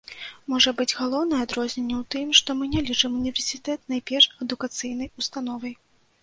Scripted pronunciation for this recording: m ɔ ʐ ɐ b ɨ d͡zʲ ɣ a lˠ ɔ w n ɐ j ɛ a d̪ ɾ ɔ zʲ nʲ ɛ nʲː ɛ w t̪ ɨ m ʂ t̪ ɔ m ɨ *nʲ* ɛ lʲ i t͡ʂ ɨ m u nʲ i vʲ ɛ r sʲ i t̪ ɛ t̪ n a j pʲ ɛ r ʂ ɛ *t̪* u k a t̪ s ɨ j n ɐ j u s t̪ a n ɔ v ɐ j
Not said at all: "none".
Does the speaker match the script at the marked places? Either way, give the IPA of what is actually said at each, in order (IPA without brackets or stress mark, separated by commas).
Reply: nʲ, d̪